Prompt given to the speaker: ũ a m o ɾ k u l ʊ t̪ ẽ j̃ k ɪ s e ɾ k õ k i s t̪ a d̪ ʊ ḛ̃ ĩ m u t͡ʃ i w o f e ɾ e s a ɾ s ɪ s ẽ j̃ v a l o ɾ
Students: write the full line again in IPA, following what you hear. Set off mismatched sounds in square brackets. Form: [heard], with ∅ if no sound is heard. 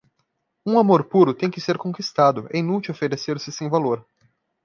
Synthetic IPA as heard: ũ a m o ɾ [p] u [ɾ] ʊ t̪ ẽ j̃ k ɪ s e ɾ k õ k i s t̪ a d̪ ʊ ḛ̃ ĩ [n] u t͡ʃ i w o f e ɾ e s [e] ɾ s ɪ s ẽ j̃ v a l o ɾ